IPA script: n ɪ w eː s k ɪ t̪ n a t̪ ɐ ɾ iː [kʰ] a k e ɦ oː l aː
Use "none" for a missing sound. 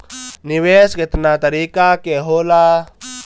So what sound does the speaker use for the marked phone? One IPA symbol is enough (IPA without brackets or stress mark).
k